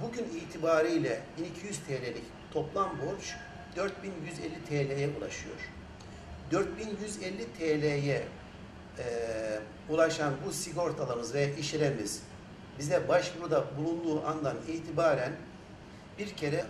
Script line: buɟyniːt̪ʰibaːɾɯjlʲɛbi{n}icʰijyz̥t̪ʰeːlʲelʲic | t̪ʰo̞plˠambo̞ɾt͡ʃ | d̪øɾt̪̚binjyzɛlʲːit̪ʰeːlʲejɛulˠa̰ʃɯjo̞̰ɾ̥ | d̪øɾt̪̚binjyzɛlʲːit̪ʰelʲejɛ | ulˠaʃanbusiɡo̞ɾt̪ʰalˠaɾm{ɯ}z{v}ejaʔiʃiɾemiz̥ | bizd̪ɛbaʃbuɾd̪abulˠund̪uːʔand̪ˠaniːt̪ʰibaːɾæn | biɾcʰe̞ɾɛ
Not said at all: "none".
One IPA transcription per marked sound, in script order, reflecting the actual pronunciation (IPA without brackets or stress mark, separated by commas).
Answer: n, ɯ, v